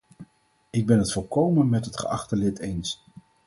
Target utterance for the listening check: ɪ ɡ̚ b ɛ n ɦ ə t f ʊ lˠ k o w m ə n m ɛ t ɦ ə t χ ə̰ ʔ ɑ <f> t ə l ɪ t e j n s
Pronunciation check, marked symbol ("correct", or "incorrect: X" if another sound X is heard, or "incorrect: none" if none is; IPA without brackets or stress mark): incorrect: χ